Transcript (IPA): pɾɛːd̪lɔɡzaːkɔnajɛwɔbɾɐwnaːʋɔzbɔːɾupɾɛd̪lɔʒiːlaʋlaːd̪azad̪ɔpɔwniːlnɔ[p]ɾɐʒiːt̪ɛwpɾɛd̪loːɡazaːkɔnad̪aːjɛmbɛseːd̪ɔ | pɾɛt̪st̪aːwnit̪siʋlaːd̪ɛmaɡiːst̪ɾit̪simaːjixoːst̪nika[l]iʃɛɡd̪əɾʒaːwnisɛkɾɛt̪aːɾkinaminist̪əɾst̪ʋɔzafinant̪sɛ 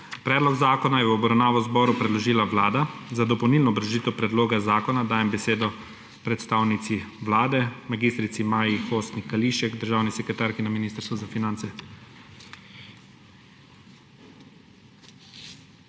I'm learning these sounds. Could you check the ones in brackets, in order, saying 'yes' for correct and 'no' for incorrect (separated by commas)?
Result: no, yes